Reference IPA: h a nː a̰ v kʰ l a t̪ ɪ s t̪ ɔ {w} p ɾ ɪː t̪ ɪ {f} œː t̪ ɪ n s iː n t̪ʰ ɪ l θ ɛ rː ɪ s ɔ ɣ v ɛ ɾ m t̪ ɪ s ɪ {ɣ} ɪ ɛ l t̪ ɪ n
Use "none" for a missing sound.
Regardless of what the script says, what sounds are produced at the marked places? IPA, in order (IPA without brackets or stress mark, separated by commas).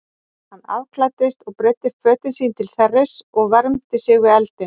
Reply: ɣ, f, ɣ